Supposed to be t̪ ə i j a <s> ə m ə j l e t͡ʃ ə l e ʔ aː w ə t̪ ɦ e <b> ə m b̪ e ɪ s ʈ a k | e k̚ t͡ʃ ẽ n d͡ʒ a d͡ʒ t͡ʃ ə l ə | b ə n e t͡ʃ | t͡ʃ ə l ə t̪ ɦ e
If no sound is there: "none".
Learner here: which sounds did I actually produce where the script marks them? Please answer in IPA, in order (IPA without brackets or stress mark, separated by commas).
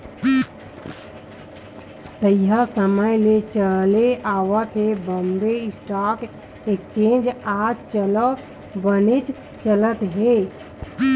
s, b